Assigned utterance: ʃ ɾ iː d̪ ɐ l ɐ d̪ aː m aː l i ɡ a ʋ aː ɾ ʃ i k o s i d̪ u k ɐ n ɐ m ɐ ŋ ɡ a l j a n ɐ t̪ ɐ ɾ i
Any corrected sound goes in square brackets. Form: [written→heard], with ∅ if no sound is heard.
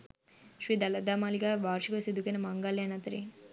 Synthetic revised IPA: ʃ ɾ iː d̪ ɐ l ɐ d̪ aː m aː l i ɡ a ʋ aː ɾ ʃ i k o s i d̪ u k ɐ n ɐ m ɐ ŋ ɡ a l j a n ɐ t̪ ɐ ɾ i